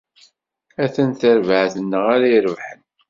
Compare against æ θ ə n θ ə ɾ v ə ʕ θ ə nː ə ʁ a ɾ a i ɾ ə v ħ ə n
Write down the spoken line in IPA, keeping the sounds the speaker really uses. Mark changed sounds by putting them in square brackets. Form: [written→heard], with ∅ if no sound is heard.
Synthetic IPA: æ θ ə n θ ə ɾ v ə ʕ θ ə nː ə ʁ a ɾ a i ɾ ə v ħ ə n

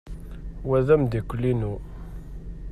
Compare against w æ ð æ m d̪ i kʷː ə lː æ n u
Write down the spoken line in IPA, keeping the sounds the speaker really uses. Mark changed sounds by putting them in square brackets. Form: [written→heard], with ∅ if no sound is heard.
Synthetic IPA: w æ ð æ m d̪ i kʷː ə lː [æ→i] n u

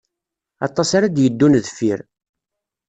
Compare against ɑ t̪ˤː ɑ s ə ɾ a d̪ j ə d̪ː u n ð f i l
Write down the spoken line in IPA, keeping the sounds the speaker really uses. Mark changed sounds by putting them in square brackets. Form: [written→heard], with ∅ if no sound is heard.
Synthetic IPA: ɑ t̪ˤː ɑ s [ə→a] ɾ a d̪ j ə d̪ː u n ð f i [l→ɾ]

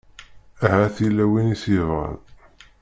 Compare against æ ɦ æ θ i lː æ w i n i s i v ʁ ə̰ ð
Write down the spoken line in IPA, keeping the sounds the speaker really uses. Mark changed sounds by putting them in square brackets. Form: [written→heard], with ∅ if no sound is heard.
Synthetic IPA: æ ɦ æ θ i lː æ w i n i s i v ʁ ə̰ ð

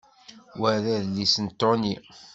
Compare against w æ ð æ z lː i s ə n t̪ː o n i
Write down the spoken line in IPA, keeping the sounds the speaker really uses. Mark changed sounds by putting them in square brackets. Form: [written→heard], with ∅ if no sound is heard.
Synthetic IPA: w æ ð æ [z→ð] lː i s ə n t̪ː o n i

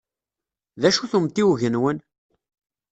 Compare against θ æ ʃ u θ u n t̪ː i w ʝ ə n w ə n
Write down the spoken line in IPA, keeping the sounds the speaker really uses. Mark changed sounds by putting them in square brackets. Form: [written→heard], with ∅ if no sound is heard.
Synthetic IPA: [θ→ð] æ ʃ u θ u [n→m] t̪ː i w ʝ ə n w ə n

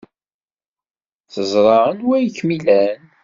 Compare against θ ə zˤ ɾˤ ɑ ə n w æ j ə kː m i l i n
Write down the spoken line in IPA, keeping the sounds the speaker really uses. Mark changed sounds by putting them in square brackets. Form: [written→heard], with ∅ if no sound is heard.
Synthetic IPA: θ ə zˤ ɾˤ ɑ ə n w æ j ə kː m i l [i→æ] n

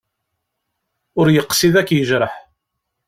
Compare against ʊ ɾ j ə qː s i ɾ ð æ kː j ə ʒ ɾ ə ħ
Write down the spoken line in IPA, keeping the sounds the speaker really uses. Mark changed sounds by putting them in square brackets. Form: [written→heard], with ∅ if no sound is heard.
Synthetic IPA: ʊ ɾ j ə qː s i [ɾ→∅] ð æ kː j ə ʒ ɾ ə ħ

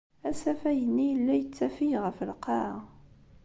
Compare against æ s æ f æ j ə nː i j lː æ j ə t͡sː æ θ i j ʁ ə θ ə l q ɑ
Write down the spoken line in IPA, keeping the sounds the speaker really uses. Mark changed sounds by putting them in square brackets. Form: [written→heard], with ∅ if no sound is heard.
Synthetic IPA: æ s æ f æ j ə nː i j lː æ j ə t͡sː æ [θ→f] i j ʁ ə [θ→f] ə l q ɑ

